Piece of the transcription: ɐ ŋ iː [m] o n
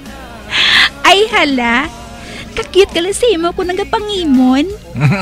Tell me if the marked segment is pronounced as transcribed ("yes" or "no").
yes